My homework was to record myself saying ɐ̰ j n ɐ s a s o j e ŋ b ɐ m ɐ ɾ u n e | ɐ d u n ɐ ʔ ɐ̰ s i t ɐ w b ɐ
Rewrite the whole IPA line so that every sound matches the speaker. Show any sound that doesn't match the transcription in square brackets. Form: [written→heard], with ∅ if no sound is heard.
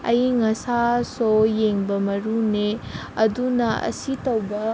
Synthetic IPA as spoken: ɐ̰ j [n→ŋ] ɐ s a s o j e ŋ b ɐ m ɐ ɾ u n e | ɐ d u n ɐ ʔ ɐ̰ s i t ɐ w b ɐ